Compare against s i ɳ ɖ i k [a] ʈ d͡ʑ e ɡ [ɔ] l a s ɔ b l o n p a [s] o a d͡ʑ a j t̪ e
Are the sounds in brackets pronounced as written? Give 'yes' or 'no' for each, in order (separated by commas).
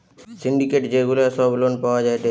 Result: no, no, no